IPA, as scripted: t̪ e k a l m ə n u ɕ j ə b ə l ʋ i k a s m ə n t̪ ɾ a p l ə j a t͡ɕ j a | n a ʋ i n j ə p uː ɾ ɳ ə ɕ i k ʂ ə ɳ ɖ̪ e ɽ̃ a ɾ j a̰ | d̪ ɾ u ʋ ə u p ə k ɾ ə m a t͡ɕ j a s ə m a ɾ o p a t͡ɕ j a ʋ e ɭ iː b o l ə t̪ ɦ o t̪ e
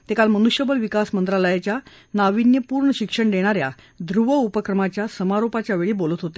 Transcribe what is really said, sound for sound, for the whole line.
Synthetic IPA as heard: t̪ e k a l m ə n u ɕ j ə b ə l ʋ i k a s m ə n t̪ ɾ a l ə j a t͡ɕ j a | n a ʋ i n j ə p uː ɾ ɳ ə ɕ i k ʂ ə ɳ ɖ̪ e ɽ̃ a ɾ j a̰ | d̪ ɾ u ʋ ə u p ə k ɾ ə m a t͡ɕ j a s ə m a ɾ o p a t͡ɕ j a ʋ e ɭ iː b o l ə t̪ ɦ o t̪ e